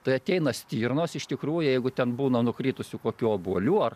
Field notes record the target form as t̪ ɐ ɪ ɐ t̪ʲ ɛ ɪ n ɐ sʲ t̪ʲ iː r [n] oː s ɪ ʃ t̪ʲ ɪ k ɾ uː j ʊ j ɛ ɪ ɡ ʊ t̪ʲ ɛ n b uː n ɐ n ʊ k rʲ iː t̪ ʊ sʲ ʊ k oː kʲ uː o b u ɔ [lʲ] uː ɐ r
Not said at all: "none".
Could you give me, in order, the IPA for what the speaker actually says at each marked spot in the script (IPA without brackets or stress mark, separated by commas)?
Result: n, lʲ